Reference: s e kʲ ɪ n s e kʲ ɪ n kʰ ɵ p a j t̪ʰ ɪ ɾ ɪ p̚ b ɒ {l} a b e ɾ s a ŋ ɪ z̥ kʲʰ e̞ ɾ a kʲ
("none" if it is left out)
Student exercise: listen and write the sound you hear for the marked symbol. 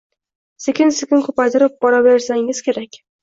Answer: ɾ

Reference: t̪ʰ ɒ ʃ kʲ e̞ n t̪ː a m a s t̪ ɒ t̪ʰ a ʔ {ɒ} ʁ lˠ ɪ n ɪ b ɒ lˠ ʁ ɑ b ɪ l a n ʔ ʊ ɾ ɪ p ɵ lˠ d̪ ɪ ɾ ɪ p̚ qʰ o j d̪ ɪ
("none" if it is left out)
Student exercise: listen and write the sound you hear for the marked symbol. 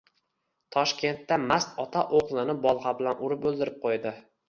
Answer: o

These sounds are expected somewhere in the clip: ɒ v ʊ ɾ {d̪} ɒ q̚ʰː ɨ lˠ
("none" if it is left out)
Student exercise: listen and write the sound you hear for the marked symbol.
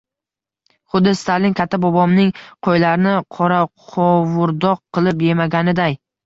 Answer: d̪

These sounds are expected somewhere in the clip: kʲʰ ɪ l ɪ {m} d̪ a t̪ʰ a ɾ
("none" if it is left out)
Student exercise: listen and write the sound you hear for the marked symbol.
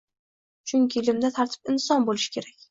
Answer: m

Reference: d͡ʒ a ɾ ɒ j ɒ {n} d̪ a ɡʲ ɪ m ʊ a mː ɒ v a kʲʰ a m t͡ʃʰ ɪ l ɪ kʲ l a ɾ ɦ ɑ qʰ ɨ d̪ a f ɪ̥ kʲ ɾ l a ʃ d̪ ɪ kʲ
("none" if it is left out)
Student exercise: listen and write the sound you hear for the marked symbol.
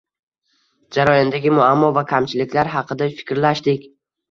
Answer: n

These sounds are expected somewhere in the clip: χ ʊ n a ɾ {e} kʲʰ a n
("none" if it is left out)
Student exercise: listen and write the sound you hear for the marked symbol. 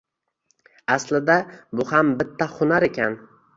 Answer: e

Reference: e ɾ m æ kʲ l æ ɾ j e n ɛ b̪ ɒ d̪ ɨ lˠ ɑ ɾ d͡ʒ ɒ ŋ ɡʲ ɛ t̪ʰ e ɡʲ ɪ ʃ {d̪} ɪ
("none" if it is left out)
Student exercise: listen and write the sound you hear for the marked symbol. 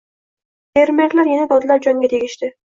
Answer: t̪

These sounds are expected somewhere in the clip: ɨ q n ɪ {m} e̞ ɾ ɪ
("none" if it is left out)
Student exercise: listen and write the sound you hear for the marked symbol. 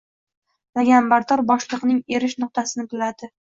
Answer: ŋ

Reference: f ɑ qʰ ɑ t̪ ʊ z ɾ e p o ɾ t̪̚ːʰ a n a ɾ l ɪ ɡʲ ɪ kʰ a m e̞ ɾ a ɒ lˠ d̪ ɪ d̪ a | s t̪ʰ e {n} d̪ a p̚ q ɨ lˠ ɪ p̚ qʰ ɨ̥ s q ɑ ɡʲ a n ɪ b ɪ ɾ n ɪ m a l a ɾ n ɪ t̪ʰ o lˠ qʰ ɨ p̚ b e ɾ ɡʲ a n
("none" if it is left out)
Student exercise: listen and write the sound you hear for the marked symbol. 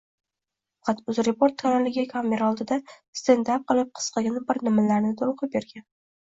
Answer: n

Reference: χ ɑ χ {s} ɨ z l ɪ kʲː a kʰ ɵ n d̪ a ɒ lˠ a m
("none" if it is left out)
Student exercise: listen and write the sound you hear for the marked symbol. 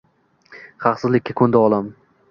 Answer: s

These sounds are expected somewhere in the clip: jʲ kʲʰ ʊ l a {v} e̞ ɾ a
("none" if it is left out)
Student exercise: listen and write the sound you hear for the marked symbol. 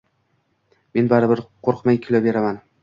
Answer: b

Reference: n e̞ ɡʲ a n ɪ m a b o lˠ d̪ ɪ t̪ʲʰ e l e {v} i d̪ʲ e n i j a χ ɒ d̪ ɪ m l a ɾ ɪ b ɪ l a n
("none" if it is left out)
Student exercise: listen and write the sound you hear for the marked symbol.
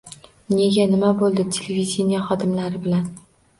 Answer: v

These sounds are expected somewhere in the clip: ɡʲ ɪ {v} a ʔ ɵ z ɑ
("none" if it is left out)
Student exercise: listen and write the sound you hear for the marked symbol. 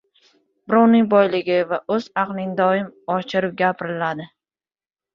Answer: v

